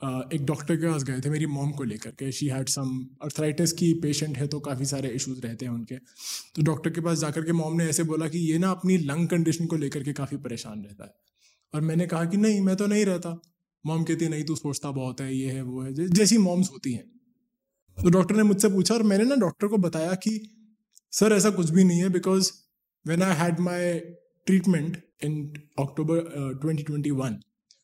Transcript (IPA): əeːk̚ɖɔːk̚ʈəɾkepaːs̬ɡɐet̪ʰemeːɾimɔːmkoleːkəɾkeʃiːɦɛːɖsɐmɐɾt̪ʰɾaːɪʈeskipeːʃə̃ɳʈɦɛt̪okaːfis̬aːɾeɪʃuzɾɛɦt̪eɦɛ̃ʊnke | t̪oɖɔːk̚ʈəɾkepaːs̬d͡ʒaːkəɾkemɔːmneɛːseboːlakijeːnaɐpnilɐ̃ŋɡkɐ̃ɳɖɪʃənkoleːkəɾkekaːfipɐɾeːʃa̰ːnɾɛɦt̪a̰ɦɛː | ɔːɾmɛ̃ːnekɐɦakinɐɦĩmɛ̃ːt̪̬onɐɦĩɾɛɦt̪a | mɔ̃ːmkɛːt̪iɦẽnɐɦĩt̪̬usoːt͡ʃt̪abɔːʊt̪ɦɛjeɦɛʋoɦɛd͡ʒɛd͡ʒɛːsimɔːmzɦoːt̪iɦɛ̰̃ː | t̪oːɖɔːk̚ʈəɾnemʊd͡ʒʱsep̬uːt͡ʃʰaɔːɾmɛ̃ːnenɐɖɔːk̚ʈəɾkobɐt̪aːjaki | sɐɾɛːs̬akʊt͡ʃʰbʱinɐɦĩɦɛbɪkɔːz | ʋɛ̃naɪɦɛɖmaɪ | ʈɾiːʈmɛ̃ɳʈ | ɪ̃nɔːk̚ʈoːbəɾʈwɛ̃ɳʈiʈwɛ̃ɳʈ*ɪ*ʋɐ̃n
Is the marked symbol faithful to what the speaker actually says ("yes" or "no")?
no